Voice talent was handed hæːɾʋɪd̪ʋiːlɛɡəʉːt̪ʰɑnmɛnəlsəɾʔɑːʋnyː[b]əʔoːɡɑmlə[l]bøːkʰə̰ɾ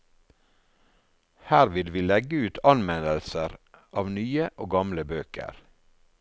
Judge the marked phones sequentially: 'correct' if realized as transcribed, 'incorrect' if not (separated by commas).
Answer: incorrect, incorrect